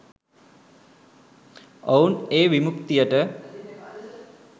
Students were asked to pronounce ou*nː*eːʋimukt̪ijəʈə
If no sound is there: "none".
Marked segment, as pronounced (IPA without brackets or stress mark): n